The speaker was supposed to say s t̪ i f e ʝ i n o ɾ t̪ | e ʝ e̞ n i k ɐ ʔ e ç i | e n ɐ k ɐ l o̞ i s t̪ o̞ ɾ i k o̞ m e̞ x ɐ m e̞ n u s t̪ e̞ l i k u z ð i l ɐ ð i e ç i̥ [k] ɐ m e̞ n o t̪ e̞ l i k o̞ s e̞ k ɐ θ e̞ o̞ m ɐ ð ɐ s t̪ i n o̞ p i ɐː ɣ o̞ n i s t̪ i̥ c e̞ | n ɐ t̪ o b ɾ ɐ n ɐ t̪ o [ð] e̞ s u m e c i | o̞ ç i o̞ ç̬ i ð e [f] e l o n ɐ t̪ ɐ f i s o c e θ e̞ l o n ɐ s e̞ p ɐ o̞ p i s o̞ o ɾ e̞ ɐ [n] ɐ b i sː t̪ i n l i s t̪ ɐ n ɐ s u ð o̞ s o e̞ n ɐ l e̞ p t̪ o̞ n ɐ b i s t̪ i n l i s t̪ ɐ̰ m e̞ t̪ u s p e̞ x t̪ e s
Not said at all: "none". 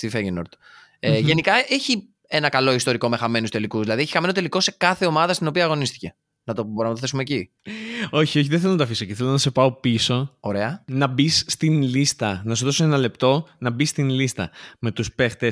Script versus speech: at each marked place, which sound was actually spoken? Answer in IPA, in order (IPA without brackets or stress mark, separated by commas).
x, θ, θ, n